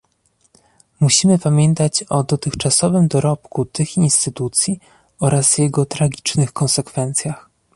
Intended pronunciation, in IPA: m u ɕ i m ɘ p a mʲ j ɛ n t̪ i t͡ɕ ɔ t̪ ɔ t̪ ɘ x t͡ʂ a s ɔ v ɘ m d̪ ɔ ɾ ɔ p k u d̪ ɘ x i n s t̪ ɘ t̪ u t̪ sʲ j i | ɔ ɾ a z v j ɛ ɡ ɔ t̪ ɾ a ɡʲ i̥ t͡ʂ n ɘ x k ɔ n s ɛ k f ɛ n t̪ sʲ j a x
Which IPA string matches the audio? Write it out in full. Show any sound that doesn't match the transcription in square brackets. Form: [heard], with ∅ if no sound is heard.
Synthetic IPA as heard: m u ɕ i m ɘ p a mʲ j ɛ n t̪ [a] t͡ɕ ɔ [d̪] ɔ t̪ ɘ x t͡ʂ a s ɔ v ɘ m d̪ ɔ ɾ ɔ p k u [t̪] ɘ x i n s t̪ ɘ t̪ u t̪ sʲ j i | ɔ ɾ a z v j ɛ ɡ ɔ t̪ ɾ a ɡʲ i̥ t͡ʂ n ɘ x k ɔ n s ɛ k f ɛ n t̪ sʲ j a x